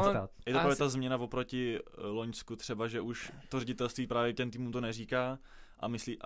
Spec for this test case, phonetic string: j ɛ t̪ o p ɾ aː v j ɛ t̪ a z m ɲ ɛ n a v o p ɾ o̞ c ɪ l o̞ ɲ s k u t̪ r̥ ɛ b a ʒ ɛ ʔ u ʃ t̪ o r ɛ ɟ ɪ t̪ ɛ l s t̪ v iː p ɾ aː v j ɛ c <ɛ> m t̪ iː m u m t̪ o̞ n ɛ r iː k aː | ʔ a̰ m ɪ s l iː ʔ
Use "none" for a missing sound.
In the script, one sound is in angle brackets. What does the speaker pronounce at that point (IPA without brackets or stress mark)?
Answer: ɛ